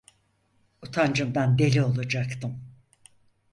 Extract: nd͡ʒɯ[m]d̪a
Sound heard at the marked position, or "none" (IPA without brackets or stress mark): m